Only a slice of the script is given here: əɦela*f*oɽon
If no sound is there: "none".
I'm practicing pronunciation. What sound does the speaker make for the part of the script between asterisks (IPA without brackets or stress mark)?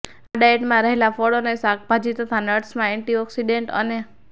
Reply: f